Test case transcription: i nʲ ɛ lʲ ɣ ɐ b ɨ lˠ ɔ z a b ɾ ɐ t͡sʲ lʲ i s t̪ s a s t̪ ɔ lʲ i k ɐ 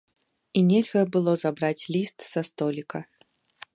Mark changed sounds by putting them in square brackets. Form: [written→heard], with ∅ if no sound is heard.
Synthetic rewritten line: i nʲ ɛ lʲ ɣ ɐ b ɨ lˠ ɔ z a b ɾ [ɐ→a] t͡sʲ lʲ i s t̪ s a s t̪ ɔ lʲ i k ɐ